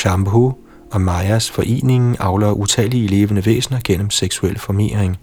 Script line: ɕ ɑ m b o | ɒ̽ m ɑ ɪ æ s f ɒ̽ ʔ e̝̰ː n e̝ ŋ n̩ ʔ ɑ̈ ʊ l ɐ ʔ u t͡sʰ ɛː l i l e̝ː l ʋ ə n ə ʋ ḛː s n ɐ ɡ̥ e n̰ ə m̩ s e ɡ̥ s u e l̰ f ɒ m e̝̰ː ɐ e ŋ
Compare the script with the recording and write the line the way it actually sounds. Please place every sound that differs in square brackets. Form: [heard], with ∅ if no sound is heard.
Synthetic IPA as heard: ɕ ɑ m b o | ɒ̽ m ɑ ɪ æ s f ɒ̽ ʔ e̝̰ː n e̝ ŋ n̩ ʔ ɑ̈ ʊ l ɐ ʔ u t͡sʰ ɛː l i l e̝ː [∅] ʋ ə n ə ʋ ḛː s n ɐ ɡ̥ e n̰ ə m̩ s e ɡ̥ s u e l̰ f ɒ m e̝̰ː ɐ e ŋ